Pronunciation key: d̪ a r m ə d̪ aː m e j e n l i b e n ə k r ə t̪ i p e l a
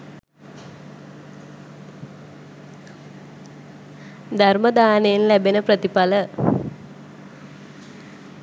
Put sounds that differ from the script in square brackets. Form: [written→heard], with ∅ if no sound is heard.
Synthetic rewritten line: d̪ a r m ə d̪ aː [m→n] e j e n l [i→æ] b e n ə [k→p] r ə t̪ i p [e→a] l [a→ə]

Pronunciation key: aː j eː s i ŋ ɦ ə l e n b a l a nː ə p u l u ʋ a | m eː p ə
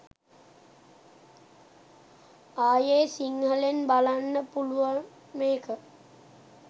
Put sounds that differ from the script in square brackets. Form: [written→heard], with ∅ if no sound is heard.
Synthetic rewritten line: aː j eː s i ŋ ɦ ə l e n b a l a nː ə p u l u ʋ a | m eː [p→k] ə

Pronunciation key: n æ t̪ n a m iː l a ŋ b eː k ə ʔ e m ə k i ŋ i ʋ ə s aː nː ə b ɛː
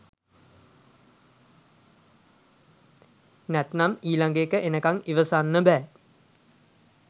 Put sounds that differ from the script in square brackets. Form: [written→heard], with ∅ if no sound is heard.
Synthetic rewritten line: n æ t̪ n a m iː l a ŋ [b→ɡ] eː k ə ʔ e [m→n] ə k [i→a] ŋ i ʋ ə s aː nː ə b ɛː

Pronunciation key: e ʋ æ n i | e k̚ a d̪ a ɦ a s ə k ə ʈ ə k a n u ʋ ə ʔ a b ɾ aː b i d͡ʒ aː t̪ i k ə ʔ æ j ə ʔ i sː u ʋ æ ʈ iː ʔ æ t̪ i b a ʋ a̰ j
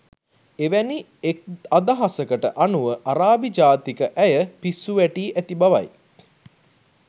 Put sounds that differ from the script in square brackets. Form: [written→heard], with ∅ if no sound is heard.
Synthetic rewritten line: e ʋ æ n i | e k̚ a d̪ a ɦ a s ə k ə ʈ ə [k→ʔ] a n u ʋ ə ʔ a [b→∅] ɾ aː b i d͡ʒ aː t̪ i k ə ʔ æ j ə [ʔ→p] i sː u ʋ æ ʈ iː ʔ æ t̪ i b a ʋ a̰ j

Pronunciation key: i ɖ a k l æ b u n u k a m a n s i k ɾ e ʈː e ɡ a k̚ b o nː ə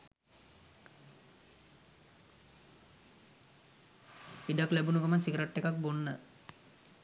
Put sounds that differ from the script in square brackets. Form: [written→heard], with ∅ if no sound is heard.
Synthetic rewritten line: i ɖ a k l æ b u n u k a m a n s i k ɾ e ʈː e [ɡ→k] a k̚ b o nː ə

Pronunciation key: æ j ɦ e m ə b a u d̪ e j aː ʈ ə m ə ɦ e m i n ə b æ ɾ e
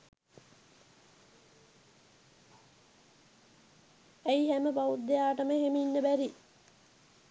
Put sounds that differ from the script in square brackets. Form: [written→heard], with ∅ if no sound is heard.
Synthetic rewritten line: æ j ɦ [e→æ] m ə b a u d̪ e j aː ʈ ə m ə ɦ e m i [n→nː] ə b æ ɾ [e→i]

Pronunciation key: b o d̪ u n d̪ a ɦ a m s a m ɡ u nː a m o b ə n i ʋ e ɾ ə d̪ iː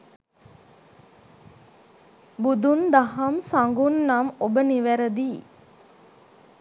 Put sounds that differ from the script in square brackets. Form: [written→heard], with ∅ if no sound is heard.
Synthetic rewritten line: b [o→u] d̪ u n d̪ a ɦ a m s a [m→ŋ] ɡ u nː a m o b ə n i ʋ [e→æ] ɾ ə d̪ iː

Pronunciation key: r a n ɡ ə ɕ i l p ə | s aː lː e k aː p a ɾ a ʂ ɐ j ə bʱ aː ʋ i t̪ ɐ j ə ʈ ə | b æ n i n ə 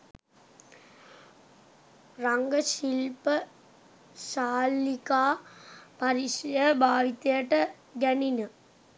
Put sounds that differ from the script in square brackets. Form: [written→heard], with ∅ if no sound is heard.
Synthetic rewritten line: r a [n→ŋ] ɡ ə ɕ i l p ə | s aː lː [e→i] k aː p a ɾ [a→i] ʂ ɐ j ə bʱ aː ʋ i t̪ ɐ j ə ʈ ə | [b→ɡ] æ n i n ə

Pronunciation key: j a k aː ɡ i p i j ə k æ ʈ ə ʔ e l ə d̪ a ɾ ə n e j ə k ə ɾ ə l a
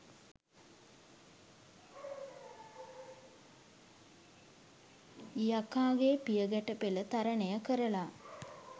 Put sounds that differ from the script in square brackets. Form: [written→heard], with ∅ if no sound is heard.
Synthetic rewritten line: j a k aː ɡ [i→e] p i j ə [k→ɡ] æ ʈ ə [ʔ→p] e l ə [d̪→t̪] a ɾ ə n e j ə k ə ɾ ə l a

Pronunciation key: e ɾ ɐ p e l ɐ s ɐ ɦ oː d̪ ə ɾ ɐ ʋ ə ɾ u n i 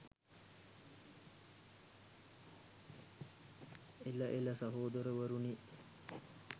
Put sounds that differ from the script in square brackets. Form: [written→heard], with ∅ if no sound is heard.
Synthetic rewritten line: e [ɾ→l] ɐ [p→ʔ] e l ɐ s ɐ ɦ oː d̪ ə ɾ [ɐ→ə] ʋ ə ɾ u n i

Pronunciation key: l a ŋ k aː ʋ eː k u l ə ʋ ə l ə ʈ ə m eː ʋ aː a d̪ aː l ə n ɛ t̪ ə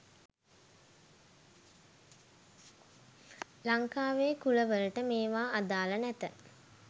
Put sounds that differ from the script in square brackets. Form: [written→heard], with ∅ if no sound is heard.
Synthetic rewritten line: l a ŋ k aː ʋ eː k u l ə ʋ ə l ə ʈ ə m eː ʋ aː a d̪ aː l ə n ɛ t̪ ə

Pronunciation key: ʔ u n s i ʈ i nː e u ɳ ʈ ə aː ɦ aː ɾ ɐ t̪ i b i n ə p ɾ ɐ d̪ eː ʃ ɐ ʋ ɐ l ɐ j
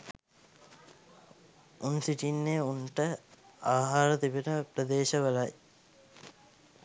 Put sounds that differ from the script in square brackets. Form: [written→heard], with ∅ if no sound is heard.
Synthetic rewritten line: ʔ u n s i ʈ i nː e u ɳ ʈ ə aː ɦ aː ɾ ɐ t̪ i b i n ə p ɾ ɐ d̪ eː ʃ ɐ ʋ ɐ l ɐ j

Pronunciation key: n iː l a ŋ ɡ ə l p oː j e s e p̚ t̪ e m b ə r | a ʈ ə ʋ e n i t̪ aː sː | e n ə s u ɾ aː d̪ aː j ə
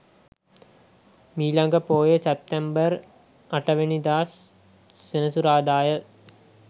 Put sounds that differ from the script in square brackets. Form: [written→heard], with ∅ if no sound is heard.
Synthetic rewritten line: [n→m] iː l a ŋ ɡ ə [l→∅] p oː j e s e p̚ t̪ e m b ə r | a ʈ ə ʋ e n i [t̪→d̪] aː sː | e n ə s u ɾ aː d̪ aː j ə

